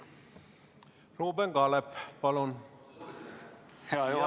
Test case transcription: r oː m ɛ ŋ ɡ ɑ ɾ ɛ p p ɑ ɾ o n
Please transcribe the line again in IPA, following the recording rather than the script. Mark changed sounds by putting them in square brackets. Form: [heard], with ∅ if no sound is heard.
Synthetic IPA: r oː [b] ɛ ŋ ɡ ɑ [l] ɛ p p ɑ [l] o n